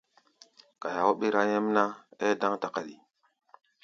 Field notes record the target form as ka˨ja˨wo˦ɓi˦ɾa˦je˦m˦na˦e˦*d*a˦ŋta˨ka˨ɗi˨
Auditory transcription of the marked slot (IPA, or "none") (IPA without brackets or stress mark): d